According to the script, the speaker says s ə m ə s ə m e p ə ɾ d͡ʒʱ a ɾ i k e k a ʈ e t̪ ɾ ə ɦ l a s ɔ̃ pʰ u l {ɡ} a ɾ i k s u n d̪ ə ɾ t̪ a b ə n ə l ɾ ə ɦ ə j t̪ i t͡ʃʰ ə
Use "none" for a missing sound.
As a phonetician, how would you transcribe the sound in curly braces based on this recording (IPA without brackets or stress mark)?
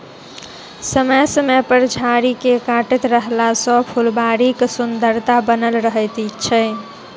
b